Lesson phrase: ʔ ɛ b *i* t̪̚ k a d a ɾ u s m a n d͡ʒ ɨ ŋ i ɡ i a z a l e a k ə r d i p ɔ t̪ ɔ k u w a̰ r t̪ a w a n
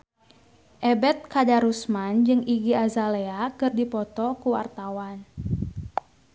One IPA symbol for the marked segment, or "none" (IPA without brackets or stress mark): ɛ